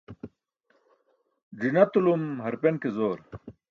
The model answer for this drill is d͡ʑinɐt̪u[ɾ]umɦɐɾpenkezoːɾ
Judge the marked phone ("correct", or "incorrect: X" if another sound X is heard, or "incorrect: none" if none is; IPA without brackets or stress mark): incorrect: l